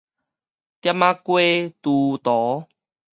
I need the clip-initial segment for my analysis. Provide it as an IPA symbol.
t̪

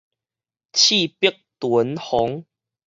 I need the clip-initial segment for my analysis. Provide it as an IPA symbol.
t͡ɕʰ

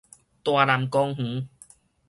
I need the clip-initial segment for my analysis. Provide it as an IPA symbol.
t̪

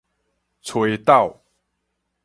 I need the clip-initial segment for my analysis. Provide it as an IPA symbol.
t͡sʰ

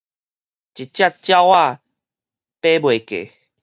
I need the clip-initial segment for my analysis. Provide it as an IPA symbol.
t͡ɕ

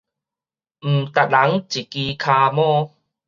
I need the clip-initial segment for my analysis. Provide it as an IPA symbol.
m̩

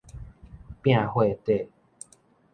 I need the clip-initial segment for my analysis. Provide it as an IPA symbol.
p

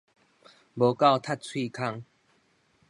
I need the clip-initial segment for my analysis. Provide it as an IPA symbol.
b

